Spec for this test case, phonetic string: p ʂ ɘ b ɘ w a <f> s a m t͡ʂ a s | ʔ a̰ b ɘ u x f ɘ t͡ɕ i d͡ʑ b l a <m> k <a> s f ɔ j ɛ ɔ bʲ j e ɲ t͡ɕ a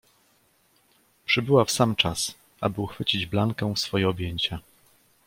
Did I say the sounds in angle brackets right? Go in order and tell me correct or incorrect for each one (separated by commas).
correct, incorrect, incorrect